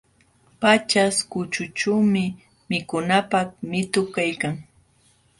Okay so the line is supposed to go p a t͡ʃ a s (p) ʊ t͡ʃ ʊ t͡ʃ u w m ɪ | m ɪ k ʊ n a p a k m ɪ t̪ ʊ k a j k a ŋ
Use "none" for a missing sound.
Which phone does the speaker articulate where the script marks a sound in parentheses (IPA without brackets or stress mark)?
k